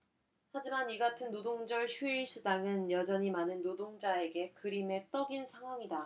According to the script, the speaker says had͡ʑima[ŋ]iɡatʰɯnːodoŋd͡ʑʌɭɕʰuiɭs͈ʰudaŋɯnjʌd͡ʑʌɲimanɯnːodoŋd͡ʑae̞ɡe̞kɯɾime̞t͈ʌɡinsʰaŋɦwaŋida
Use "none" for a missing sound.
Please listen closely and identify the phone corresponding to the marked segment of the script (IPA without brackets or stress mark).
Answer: n